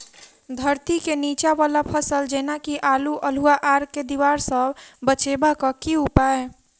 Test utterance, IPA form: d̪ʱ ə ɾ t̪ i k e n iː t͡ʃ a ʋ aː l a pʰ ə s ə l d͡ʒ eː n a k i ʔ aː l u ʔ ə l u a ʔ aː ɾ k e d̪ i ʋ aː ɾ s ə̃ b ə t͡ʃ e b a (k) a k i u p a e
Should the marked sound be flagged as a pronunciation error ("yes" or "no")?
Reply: no